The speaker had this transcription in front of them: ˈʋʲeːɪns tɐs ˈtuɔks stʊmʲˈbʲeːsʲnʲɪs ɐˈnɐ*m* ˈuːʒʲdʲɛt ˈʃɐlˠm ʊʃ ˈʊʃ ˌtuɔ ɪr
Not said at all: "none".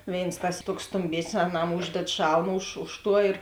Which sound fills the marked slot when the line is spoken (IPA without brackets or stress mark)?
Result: m